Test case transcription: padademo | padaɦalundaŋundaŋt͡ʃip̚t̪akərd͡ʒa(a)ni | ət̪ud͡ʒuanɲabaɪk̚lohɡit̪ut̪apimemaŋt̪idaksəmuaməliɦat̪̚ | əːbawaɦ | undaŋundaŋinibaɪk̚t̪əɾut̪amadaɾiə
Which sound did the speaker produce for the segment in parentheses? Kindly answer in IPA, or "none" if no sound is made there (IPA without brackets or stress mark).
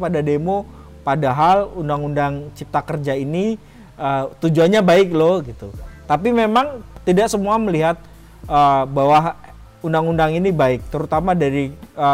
i